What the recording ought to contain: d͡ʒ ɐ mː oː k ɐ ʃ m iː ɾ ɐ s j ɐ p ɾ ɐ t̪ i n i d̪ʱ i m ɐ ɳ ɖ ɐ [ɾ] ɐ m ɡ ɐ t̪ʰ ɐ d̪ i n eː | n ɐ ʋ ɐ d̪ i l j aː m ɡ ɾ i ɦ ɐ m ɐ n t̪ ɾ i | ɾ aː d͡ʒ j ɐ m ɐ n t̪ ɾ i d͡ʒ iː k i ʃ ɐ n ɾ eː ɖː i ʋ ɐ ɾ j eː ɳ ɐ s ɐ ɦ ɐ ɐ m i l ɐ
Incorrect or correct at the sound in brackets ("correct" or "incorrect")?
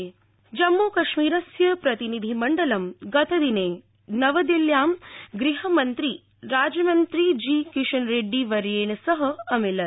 incorrect